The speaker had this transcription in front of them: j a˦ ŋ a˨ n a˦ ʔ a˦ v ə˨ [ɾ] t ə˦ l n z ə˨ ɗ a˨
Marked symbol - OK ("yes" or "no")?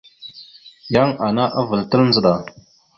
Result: no